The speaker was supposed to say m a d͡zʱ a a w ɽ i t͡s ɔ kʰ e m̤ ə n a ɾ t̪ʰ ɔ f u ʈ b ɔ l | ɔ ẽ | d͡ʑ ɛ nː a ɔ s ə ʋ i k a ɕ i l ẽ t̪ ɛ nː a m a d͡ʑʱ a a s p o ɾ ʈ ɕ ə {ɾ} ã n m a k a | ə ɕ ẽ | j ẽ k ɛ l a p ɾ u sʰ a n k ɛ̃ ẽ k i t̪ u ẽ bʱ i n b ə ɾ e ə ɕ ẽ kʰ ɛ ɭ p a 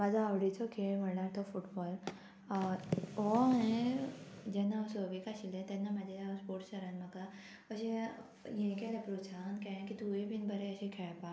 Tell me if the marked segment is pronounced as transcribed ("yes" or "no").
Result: yes